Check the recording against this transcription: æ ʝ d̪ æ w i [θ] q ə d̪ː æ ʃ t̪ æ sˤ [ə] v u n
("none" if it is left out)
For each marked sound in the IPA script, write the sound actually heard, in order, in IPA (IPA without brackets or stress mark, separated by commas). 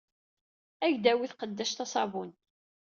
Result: θ, ɑ